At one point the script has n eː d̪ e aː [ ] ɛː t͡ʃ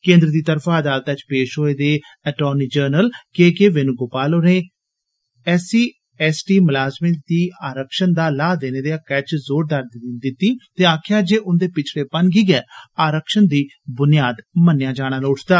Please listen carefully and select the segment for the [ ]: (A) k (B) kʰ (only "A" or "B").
A